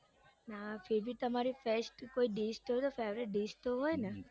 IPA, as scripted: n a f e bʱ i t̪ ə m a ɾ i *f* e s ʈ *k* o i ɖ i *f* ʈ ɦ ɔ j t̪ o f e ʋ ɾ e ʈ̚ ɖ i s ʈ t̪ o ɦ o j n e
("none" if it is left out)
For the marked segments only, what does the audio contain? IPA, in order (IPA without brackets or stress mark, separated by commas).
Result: f, k, s